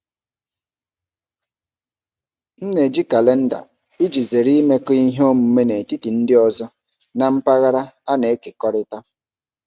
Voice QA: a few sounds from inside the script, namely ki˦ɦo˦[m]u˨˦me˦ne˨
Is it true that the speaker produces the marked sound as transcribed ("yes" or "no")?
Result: yes